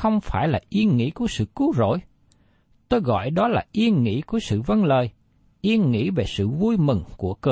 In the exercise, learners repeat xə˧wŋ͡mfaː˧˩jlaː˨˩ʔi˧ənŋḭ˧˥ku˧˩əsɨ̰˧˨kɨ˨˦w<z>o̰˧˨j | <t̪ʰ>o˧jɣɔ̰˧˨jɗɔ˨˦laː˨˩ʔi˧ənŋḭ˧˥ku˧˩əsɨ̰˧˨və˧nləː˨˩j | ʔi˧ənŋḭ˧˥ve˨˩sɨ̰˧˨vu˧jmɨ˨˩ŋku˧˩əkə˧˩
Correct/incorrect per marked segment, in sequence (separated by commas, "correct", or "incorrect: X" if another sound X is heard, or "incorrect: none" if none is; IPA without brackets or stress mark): correct, incorrect: t̪